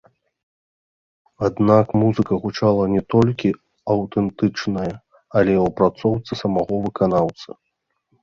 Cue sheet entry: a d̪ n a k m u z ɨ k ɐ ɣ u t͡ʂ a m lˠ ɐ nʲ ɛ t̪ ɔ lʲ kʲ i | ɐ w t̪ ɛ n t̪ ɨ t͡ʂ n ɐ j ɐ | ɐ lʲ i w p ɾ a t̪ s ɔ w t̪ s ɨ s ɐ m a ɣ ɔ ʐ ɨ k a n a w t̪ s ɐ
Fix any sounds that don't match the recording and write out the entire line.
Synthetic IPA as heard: a d̪ n a k m u z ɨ k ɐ ɣ u t͡ʂ a lˠ ɐ nʲ ɛ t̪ ɔ lʲ kʲ i | ɐ w t̪ ɛ n t̪ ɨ t͡ʂ n ɐ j ɐ | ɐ lʲ ɛ w p ɾ a t̪ s ɔ w t̪ s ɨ s ɐ m a ɣ ɔ v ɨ k a n a w t̪ s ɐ